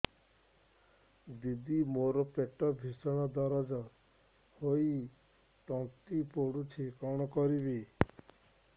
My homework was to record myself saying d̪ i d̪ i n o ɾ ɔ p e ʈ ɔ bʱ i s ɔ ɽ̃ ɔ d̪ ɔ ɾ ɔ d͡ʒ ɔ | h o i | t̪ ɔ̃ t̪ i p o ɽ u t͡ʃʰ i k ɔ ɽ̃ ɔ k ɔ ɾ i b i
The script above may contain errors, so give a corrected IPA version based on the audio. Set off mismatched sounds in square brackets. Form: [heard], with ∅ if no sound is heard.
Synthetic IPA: d̪ i d̪ i [m] o ɾ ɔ p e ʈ ɔ bʱ i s ɔ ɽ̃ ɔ d̪ ɔ ɾ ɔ d͡ʒ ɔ | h o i | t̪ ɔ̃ t̪ i p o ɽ u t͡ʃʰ i k ɔ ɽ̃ ɔ k ɔ ɾ i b i

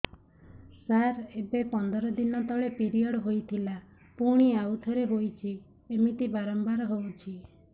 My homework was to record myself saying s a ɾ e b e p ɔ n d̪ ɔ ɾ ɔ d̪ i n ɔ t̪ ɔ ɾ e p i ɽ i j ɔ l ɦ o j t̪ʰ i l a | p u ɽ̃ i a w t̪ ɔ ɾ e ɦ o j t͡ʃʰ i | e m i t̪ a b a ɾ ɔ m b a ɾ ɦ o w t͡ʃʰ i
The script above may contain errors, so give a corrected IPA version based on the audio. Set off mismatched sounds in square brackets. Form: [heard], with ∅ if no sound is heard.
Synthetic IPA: s a ɾ e b e p ɔ n d̪ ɔ ɾ ɔ d̪ i n ɔ t̪ ɔ [ɭ] e p i [ɾ] i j ɔ [ɽ] ɦ o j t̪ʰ i l a | p u ɽ̃ i a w [t̪ʰ] ɔ ɾ e ɦ o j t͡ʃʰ i | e m i t̪ [i] b a ɾ ɔ m b a ɾ ɦ o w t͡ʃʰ i

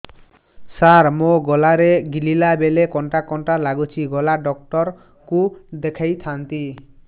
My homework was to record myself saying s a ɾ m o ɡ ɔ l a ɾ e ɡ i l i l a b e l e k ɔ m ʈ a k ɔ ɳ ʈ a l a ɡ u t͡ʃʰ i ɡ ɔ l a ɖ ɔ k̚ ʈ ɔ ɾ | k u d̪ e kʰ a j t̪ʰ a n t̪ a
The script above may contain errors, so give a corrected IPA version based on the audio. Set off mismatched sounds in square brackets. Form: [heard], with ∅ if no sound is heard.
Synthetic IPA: s a ɾ m o ɡ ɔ l a ɾ e ɡ i l i l a b e l e k ɔ [ɳ] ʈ a k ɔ ɳ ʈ a l a ɡ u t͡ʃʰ i ɡ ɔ l a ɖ ɔ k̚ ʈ ɔ ɾ | k u d̪ e kʰ a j t̪ʰ a n t̪ [i]

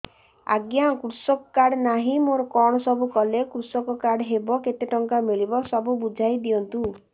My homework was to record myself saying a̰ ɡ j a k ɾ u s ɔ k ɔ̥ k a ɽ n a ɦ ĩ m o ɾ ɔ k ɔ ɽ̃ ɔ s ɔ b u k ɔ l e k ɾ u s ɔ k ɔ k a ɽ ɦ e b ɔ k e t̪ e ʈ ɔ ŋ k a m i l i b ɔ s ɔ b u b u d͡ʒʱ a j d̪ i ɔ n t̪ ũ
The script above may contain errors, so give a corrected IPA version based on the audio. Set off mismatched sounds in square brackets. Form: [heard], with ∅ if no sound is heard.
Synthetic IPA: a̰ ɡ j a k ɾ u s ɔ k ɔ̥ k a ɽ n a ɦ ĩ m o ɾ ɔ k ɔ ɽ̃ ɔ s ɔ b u k ɔ l e k ɾ u s ɔ k ɔ k a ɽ ɦ e b ɔ k e t̪ e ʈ ɔ ŋ k a m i [ɭ] i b ɔ s ɔ b u b u d͡ʒʱ a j d̪ i ɔ n t̪ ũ

